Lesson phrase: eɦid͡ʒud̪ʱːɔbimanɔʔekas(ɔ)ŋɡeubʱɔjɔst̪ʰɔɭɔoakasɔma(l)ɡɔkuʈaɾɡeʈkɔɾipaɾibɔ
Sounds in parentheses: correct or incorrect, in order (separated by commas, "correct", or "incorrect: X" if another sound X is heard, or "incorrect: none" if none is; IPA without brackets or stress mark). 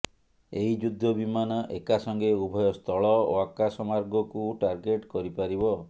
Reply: correct, incorrect: ɾ